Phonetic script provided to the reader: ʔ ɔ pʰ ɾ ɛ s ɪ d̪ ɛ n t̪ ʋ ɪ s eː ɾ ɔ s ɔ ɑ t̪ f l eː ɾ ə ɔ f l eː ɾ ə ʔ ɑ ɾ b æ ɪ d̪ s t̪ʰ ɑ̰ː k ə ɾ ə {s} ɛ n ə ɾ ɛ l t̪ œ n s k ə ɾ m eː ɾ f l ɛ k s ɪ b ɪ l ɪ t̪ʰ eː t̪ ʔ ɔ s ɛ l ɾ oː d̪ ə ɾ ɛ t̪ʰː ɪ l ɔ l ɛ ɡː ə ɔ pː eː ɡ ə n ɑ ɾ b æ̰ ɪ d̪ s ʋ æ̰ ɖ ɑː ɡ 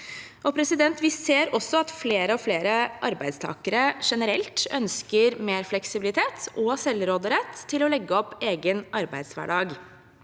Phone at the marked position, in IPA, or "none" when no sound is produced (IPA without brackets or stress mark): ʂ